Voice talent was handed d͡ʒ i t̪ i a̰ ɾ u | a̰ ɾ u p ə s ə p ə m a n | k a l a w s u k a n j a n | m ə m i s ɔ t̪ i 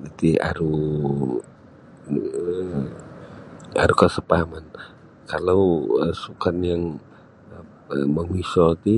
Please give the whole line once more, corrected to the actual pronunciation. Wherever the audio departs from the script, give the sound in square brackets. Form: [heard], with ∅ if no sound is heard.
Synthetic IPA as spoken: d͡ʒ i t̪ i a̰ ɾ u | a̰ ɾ u [k] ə s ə p [a] m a n | k a l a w s u k a n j a [ŋ] | m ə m i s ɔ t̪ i